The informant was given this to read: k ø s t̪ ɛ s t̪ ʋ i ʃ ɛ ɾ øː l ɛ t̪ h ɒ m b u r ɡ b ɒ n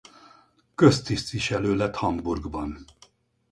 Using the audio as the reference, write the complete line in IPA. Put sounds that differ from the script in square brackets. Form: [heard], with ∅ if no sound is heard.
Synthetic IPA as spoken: k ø s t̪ [i] s t̪ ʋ i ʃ ɛ [l] øː l ɛ t̪ h ɒ m b u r ɡ b ɒ n